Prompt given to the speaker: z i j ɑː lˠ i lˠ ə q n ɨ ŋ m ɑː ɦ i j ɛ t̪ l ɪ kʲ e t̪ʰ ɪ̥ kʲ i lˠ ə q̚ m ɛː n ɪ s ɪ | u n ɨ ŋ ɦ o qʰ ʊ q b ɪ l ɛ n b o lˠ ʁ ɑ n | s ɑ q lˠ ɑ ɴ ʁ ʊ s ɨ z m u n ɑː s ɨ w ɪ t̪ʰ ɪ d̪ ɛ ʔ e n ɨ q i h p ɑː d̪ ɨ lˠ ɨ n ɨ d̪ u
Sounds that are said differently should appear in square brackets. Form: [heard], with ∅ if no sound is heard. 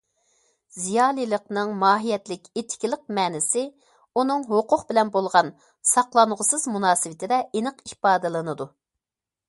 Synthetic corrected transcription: z i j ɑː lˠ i lˠ ə q n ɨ ŋ m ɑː ɦ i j ɛ t̪ l ɪ kʲ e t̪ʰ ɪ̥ kʲ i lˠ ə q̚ m ɛː n ɪ s ɪ | u n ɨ ŋ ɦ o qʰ ʊ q b ɪ l ɛ n b o lˠ ʁ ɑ n | s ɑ q lˠ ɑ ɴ ʁ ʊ s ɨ z m u n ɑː s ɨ w ɪ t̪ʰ ɪ d̪ ɛ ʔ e n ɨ q i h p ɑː d̪ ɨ lˠ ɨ n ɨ d̪ u